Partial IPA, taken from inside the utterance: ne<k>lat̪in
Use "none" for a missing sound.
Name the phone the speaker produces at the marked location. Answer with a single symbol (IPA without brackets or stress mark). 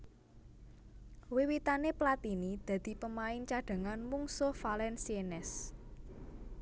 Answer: p